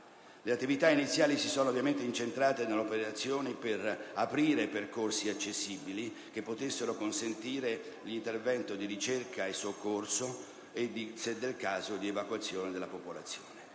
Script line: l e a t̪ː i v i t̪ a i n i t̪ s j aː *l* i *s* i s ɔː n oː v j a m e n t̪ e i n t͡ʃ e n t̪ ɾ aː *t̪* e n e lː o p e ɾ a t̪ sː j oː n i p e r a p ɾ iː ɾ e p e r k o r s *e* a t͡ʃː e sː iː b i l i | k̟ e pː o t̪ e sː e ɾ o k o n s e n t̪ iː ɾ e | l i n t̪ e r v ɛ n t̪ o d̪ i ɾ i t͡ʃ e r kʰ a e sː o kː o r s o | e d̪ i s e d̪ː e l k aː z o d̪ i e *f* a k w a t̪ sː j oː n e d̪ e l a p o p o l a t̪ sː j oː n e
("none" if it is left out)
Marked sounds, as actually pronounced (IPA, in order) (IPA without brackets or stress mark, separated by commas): l, s, t̪, i, v